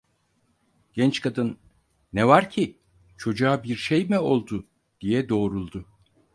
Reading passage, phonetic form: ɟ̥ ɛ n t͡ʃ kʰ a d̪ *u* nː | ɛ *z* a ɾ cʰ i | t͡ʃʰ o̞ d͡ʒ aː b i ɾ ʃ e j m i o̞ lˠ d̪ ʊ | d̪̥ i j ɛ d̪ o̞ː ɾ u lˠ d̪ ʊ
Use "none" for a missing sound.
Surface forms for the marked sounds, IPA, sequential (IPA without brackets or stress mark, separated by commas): ɯ, v